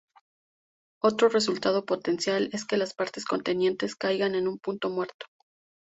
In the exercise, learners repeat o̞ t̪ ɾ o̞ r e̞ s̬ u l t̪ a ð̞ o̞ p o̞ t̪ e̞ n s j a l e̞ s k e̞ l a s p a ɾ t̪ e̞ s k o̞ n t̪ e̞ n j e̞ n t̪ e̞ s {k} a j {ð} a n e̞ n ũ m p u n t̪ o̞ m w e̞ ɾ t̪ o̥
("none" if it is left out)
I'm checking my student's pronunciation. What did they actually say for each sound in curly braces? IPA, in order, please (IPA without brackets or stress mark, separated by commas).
k, ɣ